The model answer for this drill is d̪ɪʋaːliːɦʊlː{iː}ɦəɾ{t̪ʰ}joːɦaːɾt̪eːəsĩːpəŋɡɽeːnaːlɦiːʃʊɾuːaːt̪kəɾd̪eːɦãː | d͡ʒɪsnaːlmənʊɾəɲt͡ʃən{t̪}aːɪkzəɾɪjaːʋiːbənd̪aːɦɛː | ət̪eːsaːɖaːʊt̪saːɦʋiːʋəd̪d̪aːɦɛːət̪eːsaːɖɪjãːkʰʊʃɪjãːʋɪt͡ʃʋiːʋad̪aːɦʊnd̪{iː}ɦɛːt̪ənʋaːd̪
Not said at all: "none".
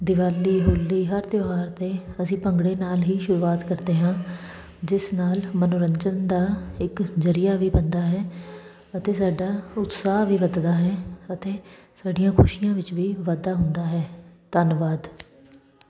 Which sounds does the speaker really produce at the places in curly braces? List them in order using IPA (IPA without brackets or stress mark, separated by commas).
iː, t̪, d̪, aː